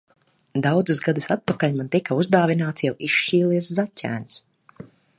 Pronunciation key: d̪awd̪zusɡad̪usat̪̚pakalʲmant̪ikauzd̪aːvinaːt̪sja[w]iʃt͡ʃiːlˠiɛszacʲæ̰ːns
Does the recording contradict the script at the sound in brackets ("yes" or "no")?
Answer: no